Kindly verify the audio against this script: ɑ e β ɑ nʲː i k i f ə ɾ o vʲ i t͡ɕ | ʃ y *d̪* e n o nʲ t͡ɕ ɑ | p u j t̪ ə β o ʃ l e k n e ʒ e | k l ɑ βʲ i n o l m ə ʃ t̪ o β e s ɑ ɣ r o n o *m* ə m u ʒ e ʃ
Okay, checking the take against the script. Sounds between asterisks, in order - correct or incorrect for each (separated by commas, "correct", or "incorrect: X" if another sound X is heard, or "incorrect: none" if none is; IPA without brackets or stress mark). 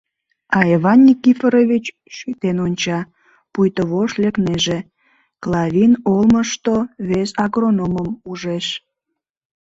incorrect: t̪, correct